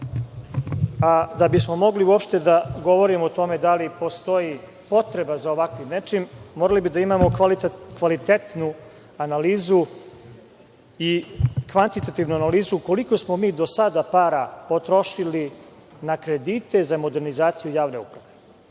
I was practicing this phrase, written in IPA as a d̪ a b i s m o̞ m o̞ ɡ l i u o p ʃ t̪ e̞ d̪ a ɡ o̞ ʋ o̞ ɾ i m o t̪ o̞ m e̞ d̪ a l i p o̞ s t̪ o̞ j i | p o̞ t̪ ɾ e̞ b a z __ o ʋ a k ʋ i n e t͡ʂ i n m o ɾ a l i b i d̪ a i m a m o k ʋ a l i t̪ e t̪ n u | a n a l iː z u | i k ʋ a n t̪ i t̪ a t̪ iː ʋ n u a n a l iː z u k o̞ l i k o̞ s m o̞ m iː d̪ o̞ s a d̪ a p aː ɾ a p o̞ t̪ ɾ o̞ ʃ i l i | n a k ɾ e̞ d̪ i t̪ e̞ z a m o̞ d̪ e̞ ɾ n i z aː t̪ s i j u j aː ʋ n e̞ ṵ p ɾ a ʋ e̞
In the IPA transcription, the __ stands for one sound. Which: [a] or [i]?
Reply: a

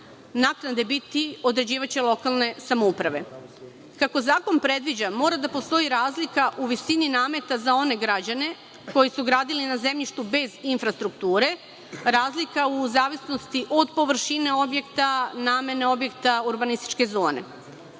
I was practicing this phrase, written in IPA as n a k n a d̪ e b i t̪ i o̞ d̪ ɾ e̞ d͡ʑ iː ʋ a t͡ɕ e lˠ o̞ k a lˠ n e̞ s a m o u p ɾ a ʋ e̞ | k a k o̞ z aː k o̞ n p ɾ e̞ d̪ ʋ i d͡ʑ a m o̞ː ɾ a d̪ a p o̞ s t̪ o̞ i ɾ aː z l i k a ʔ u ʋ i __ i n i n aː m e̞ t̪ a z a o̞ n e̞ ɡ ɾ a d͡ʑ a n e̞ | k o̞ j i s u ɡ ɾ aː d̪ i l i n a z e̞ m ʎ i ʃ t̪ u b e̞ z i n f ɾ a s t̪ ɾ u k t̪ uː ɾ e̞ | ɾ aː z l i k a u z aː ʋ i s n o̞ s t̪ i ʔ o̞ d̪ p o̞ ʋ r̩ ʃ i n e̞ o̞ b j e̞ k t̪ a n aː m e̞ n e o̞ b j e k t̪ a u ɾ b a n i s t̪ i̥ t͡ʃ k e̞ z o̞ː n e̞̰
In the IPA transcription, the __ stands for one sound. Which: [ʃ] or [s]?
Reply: s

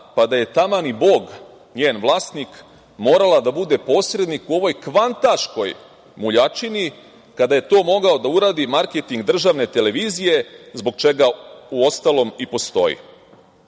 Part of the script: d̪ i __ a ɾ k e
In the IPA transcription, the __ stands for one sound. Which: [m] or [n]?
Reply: m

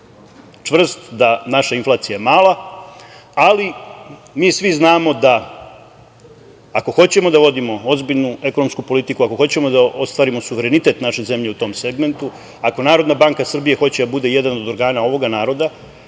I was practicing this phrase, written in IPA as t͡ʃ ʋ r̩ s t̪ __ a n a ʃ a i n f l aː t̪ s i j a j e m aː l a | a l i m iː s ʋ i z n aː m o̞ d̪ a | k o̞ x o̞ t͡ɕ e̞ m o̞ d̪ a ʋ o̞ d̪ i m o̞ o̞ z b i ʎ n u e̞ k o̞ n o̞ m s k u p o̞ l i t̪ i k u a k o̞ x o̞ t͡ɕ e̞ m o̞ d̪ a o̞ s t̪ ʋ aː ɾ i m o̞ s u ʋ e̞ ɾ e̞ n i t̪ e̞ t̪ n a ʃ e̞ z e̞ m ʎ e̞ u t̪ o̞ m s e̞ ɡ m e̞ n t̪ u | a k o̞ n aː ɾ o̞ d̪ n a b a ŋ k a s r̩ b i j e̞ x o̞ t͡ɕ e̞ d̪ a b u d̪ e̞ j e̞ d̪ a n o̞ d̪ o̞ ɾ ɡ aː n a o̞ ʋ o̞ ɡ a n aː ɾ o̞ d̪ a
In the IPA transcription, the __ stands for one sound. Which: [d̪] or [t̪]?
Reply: d̪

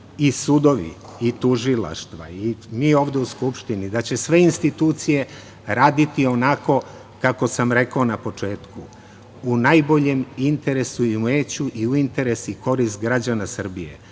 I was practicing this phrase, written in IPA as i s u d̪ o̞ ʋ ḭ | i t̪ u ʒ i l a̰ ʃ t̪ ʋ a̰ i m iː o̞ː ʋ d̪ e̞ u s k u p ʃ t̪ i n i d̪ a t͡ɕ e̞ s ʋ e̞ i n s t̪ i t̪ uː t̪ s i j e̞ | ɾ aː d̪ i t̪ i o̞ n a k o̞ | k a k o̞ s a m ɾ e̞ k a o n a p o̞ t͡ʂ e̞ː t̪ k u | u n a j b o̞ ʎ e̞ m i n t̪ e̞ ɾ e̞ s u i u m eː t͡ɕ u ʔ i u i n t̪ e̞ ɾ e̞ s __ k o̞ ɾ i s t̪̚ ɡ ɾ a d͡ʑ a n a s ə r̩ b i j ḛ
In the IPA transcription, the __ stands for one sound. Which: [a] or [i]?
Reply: i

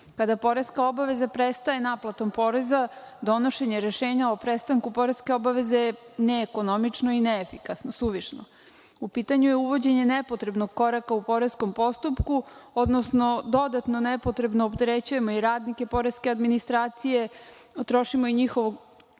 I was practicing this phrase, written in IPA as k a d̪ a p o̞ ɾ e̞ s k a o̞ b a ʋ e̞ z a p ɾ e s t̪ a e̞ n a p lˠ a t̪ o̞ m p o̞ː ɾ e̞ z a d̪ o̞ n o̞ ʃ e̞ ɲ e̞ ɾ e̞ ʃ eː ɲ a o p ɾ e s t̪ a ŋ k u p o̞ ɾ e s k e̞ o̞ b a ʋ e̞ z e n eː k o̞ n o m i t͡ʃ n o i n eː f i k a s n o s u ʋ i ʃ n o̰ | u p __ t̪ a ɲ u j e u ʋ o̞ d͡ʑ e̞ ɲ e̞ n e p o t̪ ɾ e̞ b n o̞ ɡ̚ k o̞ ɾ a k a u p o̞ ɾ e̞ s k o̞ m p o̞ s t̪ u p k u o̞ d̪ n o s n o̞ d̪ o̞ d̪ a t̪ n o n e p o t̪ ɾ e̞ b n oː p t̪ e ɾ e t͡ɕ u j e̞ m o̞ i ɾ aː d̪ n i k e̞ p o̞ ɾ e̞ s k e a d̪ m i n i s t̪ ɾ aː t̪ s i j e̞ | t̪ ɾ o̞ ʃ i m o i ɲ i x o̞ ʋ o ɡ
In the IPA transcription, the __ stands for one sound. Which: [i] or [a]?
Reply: i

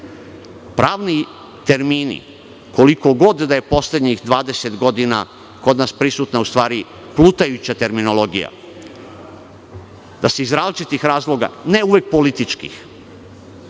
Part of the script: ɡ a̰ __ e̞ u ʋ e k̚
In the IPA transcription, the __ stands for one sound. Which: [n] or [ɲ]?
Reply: n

